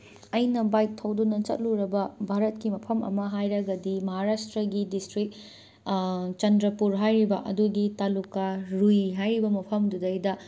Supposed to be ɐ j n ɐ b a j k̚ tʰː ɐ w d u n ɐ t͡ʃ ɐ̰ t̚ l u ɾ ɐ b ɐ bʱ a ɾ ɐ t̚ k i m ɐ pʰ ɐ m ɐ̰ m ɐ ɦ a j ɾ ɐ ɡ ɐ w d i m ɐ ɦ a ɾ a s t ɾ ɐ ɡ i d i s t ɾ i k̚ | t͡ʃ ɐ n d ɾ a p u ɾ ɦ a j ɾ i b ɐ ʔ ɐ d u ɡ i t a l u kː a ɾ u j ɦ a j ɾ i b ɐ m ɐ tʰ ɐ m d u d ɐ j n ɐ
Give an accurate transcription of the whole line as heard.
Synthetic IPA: ɐ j n ɐ b a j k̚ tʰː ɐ w d u n ɐ t͡ʃ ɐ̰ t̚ l u ɾ ɐ b ɐ bʱ a ɾ ɐ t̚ k i m ɐ pʰ ɐ m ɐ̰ m ɐ ɦ a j ɾ ɐ ɡ ɐ d i m ɐ ɦ a ɾ a s t ɾ ɐ ɡ i d i s t ɾ i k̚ | t͡ʃ ɐ n d ɾ ɐ p u ɾ ɦ a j ɾ i b ɐ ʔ ɐ d u ɡ i t a l u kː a ɾ u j ɦ a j ɾ i b ɐ m ɐ pʰ ɐ m d u d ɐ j d ɐ